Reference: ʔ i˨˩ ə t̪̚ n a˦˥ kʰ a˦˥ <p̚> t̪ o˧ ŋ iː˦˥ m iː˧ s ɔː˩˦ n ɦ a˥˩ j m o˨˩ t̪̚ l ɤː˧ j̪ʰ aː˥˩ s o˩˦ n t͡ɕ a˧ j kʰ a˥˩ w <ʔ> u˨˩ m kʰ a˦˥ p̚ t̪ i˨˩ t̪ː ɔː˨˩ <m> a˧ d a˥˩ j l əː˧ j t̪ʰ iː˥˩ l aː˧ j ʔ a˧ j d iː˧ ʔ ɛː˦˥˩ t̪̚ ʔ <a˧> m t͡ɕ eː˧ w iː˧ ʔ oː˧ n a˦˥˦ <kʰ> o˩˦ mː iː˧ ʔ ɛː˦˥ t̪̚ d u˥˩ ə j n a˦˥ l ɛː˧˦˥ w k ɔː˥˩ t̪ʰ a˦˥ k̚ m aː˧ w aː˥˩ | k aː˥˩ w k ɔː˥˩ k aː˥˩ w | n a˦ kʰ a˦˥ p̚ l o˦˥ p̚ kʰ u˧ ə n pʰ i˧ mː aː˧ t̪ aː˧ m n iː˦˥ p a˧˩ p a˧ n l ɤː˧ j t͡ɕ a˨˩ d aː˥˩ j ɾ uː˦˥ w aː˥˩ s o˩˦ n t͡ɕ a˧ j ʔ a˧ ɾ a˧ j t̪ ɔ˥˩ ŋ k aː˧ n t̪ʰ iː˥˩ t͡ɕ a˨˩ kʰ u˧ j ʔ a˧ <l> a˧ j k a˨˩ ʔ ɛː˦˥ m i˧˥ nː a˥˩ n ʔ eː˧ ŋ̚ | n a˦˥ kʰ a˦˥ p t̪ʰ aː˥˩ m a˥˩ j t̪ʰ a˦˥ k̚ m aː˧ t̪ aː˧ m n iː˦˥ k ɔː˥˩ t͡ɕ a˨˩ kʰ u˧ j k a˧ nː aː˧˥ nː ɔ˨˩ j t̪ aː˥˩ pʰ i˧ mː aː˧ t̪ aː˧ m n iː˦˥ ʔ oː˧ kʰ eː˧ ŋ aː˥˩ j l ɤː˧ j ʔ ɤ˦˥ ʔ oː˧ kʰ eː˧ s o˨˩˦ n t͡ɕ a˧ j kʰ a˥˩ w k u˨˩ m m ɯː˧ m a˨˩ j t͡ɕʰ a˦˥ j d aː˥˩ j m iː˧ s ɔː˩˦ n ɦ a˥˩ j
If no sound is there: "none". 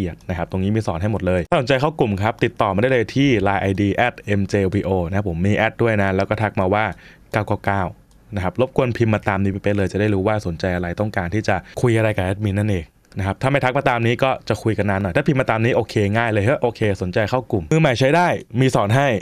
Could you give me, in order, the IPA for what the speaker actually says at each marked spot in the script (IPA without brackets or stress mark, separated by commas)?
p̚, k, m, e˧, pʰ, ɾ